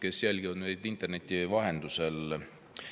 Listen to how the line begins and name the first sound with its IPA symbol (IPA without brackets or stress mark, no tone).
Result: k